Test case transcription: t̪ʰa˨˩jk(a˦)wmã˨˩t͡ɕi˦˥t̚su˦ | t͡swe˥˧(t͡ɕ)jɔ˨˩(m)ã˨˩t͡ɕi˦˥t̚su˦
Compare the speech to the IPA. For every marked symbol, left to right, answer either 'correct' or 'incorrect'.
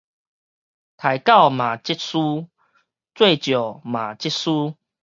incorrect: a˥˨, correct, correct

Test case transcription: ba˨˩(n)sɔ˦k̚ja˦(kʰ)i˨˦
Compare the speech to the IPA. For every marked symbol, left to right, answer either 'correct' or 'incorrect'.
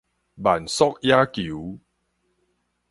correct, incorrect: k

